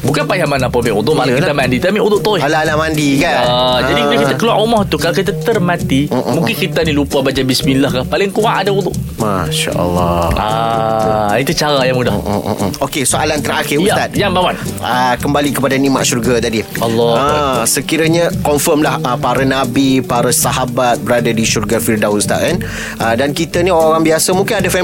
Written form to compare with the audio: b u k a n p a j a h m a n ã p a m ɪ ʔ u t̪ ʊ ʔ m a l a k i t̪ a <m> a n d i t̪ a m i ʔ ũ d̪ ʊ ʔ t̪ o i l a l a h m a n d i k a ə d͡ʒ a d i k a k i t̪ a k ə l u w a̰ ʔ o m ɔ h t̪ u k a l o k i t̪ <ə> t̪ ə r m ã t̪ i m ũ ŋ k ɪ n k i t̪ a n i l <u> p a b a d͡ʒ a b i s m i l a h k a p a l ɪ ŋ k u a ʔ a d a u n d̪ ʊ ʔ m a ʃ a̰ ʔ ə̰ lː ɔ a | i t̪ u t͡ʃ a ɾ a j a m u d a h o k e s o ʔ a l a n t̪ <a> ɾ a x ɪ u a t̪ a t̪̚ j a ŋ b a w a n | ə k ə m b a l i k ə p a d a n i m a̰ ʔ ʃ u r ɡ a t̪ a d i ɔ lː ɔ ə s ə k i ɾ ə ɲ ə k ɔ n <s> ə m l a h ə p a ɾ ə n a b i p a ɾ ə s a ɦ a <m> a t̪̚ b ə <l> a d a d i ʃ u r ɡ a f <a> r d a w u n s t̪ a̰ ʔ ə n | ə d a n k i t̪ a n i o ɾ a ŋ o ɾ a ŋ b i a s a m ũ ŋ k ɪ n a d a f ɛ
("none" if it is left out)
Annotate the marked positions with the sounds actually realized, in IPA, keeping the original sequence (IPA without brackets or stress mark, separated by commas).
m, a, u, ə, f, b, ɾ, i